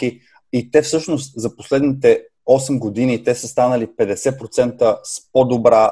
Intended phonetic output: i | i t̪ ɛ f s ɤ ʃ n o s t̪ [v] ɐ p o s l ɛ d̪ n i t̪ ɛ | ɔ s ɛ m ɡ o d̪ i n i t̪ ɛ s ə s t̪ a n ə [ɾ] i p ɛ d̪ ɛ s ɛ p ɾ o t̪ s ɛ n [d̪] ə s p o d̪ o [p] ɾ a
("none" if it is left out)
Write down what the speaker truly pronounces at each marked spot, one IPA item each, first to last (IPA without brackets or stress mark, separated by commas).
z, l, t̪, b